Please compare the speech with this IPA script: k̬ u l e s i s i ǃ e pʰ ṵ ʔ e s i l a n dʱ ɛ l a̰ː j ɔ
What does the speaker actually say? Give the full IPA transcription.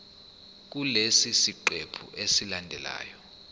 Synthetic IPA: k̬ u l e s i s i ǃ e pʰ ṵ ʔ e s i l a n dʱ ɛ l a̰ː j ɔ